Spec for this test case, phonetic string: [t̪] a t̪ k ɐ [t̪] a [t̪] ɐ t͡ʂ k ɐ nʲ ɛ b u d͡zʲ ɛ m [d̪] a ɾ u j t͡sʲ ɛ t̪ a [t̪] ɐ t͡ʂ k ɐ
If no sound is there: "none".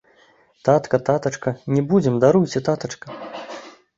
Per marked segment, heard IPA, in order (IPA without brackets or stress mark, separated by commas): t̪, t̪, t̪, d̪, t̪